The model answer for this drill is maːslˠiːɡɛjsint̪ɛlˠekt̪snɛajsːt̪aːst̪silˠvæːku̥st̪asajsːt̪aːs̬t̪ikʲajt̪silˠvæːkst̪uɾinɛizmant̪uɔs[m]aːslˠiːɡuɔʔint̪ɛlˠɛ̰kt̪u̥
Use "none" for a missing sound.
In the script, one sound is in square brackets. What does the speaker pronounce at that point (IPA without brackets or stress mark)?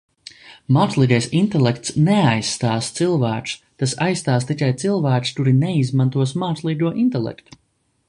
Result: m